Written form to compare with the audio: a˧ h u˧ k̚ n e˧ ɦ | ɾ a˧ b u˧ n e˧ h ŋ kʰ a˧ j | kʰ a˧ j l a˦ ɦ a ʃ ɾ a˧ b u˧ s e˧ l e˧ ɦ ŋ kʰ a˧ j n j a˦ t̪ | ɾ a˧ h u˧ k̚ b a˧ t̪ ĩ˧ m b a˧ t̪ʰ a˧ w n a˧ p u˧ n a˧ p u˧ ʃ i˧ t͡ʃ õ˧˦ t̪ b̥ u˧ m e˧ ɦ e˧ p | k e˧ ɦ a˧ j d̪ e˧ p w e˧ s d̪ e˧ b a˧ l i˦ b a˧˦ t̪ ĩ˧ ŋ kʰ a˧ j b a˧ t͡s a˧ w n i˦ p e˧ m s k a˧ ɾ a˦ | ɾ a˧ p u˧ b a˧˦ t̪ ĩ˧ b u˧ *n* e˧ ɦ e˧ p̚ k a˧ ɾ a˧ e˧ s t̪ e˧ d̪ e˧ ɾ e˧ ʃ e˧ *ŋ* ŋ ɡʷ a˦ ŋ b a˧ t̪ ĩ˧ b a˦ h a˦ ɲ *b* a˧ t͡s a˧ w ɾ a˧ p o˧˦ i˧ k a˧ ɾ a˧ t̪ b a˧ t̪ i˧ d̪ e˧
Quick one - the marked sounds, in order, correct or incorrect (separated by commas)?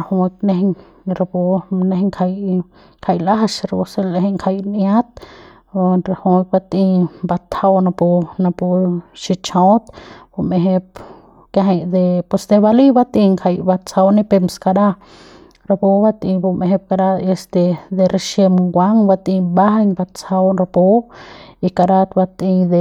incorrect, incorrect, correct